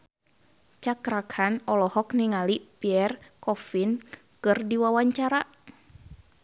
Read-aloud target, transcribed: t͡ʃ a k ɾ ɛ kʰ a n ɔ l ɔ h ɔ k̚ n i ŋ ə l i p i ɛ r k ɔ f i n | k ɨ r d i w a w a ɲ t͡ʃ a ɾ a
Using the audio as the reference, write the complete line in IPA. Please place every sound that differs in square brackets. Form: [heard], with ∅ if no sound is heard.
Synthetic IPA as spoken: t͡ʃ a k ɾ [a] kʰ a n ɔ l ɔ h ɔ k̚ n i ŋ [a] l i p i ɛ r k ɔ f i n | k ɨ r d i w a w a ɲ t͡ʃ a ɾ a